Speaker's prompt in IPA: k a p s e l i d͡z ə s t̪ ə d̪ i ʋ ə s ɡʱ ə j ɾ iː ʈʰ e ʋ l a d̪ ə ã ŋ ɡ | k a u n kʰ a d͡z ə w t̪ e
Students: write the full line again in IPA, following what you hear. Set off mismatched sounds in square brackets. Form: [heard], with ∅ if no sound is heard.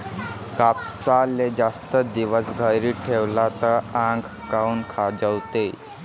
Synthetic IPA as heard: k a p s [a] l [e] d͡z [a] s t̪ ə d̪ i ʋ ə s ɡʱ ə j ɾ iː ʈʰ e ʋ l a [t̪] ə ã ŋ ɡ | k a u n kʰ a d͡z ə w t̪ e